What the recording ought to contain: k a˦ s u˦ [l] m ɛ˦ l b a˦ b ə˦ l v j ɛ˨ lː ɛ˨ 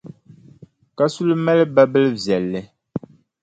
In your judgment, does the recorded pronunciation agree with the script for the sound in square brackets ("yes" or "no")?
yes